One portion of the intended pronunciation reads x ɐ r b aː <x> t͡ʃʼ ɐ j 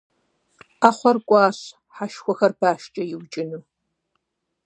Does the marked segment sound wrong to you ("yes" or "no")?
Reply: yes